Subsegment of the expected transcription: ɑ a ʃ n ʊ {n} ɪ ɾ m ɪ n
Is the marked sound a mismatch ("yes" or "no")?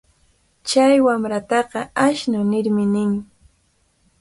no